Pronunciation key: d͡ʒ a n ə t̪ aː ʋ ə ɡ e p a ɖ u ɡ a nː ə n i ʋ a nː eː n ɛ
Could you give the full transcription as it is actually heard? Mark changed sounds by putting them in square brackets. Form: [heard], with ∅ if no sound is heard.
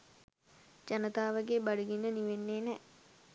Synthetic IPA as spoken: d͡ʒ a n ə t̪ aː ʋ ə ɡ e [b] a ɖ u ɡ [i] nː ə n i ʋ [e] nː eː n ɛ